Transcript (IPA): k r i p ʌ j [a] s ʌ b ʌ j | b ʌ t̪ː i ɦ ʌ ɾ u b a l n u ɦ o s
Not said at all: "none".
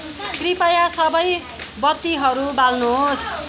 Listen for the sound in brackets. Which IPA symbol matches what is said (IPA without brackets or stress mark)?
a